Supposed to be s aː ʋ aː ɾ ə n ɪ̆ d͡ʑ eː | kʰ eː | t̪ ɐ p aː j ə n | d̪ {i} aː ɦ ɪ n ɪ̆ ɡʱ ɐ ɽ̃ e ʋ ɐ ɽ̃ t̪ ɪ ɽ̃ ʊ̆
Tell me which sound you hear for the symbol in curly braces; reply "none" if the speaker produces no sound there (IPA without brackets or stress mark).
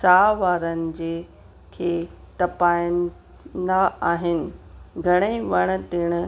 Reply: a